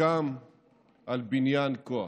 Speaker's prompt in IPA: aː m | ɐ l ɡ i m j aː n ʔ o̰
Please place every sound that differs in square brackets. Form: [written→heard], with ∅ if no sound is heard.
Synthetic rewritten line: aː m | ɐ l [ɡ→b] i [m→n] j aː n [ʔ→k] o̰